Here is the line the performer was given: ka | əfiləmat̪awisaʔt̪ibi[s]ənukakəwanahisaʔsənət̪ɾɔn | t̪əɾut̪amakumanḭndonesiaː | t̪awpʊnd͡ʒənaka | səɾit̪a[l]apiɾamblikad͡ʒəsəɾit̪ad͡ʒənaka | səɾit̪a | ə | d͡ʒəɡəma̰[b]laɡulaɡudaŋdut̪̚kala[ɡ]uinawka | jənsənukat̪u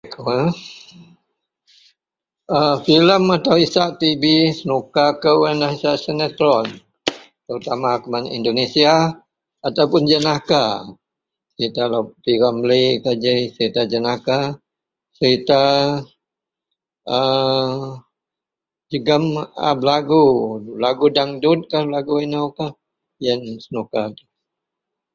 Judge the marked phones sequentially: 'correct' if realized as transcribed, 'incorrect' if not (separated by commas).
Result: correct, correct, correct, correct